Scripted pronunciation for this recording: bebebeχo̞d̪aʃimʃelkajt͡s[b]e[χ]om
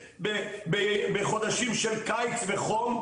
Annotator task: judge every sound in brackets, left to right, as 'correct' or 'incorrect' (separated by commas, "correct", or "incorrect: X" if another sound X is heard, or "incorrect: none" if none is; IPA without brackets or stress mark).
incorrect: v, correct